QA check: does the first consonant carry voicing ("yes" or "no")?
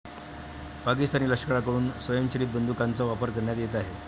no